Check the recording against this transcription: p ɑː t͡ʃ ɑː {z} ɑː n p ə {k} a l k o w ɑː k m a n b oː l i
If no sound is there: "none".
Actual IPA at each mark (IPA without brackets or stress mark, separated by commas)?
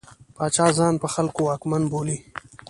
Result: z, x